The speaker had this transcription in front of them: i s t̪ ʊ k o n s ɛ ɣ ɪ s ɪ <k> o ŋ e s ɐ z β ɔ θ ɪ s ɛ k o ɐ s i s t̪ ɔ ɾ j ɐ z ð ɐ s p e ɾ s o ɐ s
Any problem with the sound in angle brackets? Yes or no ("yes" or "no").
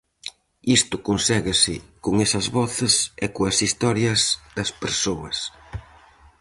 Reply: no